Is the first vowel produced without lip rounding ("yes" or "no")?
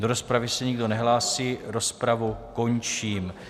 no